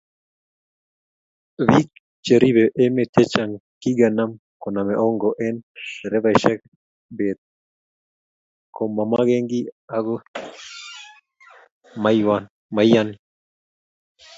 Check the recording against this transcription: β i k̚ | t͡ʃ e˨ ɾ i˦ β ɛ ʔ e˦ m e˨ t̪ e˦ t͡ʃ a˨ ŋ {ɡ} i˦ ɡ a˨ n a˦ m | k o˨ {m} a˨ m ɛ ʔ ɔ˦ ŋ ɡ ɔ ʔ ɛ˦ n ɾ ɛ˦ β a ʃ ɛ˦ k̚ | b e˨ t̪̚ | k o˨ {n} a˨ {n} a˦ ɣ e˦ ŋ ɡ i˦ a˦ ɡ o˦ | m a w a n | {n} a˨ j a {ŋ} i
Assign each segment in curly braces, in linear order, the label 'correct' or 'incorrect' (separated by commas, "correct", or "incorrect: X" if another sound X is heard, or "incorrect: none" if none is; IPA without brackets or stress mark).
incorrect: k, incorrect: n, incorrect: m, incorrect: m, incorrect: m, incorrect: n